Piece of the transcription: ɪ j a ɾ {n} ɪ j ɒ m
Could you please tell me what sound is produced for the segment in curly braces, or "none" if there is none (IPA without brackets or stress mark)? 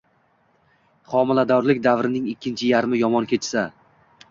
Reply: m